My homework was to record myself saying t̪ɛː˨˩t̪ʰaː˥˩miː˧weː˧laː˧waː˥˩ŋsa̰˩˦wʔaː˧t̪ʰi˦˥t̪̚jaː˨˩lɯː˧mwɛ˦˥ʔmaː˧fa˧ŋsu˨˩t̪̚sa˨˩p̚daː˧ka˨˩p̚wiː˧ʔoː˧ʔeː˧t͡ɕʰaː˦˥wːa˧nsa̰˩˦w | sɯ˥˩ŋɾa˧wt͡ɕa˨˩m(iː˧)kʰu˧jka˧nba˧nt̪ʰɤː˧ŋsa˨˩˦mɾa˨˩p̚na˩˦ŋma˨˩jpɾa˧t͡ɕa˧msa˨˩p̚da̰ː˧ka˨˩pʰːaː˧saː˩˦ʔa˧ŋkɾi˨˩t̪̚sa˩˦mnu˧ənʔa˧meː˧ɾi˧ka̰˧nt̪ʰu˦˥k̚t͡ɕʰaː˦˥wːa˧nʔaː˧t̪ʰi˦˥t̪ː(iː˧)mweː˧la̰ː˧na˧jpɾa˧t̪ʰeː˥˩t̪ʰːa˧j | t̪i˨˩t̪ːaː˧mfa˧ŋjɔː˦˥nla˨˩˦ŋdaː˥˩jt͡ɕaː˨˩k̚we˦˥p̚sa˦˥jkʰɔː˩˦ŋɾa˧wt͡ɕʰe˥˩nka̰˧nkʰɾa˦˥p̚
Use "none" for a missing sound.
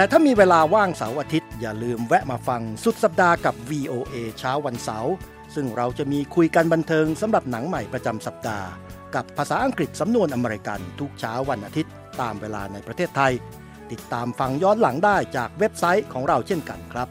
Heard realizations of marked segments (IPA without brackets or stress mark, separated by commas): iː˧, aː˧